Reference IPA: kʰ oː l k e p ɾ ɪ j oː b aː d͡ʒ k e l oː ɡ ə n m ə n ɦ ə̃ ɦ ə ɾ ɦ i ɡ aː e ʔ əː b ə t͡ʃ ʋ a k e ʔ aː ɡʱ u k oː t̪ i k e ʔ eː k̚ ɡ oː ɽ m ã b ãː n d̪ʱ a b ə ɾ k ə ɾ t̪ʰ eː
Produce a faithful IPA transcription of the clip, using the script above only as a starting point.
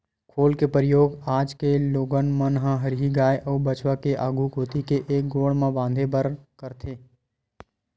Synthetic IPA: kʰ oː l k e p ɾ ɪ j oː ɡ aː d͡ʒ k e l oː ɡ ə n m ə n ɦ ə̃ ɦ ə ɾ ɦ i ɡ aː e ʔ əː b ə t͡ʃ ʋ a k e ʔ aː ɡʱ u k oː t̪ i k e ʔ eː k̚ ɡ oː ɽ m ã b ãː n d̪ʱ e b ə ɾ k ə ɾ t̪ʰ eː